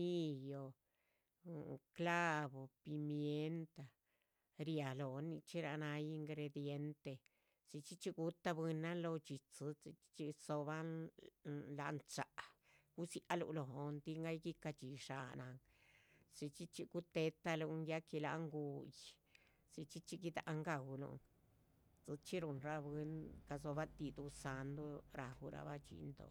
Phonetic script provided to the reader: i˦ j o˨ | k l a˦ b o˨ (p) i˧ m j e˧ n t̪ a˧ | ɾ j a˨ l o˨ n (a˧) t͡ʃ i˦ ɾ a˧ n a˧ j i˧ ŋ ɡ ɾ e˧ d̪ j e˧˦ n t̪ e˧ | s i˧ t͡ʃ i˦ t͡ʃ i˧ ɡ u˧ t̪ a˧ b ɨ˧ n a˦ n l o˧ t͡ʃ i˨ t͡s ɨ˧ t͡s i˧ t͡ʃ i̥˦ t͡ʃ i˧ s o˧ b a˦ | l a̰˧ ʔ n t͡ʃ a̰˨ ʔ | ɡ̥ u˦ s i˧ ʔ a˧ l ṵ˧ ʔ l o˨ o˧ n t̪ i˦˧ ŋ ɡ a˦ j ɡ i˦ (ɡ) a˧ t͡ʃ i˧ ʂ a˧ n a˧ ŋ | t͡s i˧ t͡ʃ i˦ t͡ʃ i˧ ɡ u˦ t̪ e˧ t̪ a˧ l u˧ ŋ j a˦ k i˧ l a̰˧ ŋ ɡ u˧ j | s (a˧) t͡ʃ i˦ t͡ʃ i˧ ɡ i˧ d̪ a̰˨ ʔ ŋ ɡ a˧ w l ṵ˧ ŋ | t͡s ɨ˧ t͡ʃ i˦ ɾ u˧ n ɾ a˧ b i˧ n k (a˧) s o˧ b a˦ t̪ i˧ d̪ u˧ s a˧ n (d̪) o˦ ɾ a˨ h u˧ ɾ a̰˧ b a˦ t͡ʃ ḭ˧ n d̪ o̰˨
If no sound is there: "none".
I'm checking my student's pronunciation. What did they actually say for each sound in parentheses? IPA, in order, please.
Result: p, i˧, k, i˧, a˧, d̪

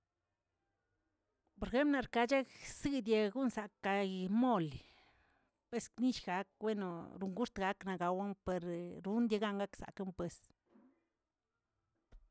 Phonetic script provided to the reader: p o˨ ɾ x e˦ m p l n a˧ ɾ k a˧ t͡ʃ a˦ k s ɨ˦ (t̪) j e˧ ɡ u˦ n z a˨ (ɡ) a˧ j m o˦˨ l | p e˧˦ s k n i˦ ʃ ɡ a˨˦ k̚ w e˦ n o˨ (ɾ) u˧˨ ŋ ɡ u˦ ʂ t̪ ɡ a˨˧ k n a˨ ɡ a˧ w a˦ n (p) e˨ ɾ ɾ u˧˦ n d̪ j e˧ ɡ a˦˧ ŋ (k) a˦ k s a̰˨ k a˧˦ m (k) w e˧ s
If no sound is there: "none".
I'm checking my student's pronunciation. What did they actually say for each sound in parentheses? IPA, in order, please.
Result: d̪, k, ɾ, p, ɡ, p

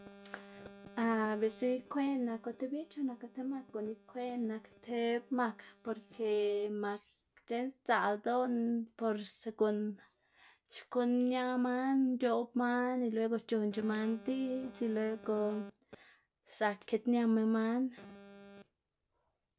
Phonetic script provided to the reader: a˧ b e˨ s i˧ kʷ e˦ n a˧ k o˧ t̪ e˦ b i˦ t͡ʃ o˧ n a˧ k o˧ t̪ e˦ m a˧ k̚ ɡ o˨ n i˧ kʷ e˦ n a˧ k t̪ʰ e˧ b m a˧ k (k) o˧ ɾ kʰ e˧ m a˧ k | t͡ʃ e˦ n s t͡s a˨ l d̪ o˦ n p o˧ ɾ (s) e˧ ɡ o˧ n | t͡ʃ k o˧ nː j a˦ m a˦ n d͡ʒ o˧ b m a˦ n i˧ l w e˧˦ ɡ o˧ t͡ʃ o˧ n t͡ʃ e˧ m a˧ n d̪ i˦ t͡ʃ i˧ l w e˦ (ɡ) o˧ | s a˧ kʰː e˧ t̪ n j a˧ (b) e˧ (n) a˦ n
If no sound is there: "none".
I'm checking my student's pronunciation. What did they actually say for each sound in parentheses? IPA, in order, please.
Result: p, s, ɡ, m, m

